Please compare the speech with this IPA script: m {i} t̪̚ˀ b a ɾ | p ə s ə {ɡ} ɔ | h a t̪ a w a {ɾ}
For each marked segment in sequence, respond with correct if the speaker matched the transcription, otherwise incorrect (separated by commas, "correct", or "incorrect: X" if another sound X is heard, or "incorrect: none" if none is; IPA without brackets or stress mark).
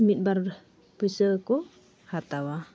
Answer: correct, incorrect: k, incorrect: none